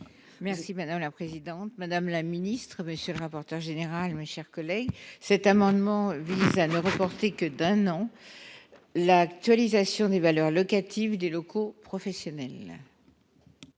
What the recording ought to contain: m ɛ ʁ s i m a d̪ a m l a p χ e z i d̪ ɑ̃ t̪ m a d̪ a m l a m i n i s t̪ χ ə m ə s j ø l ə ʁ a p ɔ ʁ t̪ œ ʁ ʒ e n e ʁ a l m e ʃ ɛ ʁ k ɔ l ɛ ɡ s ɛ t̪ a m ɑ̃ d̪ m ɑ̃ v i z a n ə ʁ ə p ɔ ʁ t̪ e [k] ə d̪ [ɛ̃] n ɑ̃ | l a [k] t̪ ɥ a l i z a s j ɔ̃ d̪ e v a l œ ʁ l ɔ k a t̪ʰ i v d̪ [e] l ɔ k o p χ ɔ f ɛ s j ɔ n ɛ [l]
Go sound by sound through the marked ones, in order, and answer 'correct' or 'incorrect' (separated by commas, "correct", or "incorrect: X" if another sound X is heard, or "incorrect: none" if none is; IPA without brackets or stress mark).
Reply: correct, correct, correct, correct, correct